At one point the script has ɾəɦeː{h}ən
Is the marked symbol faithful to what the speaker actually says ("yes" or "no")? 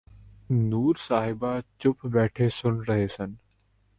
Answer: no